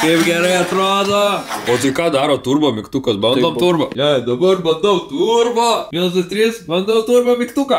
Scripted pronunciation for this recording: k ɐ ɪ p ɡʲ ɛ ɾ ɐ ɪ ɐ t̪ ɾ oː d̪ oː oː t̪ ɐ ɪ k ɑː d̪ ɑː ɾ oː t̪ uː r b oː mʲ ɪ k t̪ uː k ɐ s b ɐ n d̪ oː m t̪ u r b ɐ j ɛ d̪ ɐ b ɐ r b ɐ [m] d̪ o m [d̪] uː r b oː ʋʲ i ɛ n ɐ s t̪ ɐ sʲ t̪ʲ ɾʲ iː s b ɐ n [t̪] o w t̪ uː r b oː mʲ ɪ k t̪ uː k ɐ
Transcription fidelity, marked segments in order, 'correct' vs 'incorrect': incorrect: n, incorrect: t̪, incorrect: d̪

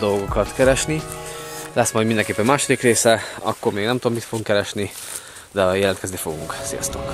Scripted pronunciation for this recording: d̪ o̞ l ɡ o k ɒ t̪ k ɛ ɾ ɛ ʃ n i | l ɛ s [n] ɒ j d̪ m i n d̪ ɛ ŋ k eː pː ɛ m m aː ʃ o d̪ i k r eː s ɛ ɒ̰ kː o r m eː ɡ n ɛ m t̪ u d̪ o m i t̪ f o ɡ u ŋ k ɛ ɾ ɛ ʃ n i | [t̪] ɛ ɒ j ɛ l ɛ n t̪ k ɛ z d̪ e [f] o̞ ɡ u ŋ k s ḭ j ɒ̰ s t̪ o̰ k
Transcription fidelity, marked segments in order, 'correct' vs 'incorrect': incorrect: m, incorrect: d̪, correct

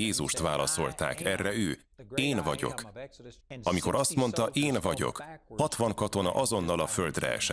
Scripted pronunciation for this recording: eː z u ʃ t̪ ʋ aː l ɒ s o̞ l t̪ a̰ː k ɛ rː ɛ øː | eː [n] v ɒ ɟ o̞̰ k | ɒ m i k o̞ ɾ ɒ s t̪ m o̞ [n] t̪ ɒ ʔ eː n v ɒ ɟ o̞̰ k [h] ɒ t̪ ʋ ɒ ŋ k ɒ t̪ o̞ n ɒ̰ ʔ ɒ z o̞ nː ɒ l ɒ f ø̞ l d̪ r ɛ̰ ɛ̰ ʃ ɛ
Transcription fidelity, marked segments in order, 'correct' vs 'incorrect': correct, correct, correct

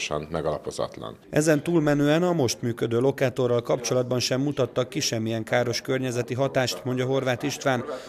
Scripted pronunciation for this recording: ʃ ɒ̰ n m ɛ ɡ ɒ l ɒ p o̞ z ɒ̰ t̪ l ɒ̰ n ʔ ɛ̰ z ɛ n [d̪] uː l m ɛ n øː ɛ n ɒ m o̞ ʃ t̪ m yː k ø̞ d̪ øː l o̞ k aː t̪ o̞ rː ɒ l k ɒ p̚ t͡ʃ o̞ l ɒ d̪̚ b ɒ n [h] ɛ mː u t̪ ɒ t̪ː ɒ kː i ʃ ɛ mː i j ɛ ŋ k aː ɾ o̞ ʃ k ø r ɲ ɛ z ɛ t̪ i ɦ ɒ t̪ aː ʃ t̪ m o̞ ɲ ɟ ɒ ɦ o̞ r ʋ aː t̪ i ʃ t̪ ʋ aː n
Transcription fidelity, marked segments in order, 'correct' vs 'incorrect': incorrect: t̪, incorrect: ʃ

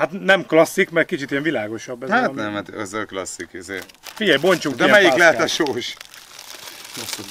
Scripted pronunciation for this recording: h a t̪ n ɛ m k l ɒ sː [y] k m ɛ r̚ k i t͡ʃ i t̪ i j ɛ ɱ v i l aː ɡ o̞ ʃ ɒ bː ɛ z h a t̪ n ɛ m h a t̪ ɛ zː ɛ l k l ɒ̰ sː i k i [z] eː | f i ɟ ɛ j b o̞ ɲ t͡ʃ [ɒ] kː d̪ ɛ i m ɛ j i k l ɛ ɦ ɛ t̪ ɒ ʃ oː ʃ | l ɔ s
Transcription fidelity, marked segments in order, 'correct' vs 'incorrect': incorrect: i, correct, incorrect: u

